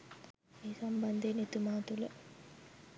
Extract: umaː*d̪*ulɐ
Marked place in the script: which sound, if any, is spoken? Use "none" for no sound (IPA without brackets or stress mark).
t̪